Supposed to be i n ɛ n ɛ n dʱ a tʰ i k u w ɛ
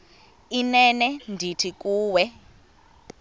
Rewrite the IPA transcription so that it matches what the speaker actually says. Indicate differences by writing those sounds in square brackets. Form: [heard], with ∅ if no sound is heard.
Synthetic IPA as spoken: i n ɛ n ɛ n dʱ [i] tʰ i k [uː] w ɛ